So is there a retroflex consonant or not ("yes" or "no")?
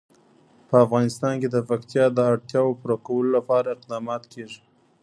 yes